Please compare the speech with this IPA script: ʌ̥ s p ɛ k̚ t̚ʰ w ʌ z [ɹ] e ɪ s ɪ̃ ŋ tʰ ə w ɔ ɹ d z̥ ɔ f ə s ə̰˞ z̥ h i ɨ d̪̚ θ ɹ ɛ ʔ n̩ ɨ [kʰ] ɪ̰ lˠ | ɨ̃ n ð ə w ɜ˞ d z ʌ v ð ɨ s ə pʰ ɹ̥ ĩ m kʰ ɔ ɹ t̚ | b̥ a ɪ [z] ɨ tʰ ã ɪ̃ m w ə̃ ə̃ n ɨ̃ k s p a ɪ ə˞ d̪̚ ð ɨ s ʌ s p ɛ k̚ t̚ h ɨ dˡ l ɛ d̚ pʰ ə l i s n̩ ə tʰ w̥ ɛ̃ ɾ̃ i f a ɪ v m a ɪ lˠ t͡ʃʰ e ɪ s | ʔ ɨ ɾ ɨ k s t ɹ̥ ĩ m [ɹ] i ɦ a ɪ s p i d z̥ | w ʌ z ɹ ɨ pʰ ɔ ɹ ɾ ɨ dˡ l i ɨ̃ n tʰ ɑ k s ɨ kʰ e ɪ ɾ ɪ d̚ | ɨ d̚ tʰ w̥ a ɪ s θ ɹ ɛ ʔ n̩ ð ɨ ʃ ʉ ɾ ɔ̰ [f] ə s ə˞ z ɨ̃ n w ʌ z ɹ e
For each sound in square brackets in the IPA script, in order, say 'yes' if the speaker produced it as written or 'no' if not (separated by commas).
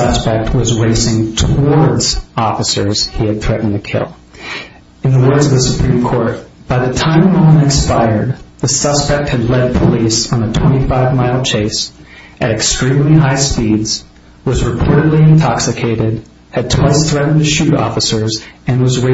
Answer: yes, yes, no, no, yes